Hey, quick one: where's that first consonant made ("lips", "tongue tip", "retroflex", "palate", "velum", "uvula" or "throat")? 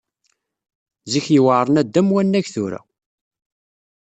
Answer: tongue tip